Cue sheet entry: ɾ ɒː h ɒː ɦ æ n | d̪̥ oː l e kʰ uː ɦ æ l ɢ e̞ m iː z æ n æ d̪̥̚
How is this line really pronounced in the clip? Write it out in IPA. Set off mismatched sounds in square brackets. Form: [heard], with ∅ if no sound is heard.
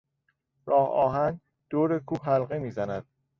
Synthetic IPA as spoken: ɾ ɒː h ɒː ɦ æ n | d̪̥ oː [ɾ] e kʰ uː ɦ æ l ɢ e̞ m iː z æ n æ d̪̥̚